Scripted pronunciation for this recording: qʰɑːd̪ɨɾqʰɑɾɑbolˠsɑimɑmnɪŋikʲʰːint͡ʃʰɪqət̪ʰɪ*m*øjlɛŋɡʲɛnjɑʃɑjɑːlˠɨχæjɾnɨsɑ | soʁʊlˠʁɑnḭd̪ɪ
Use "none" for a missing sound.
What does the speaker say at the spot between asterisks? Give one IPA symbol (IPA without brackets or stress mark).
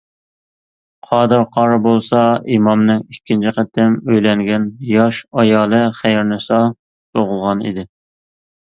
m